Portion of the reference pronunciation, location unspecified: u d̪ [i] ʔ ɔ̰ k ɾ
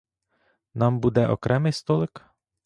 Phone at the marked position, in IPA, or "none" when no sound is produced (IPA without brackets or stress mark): ɛ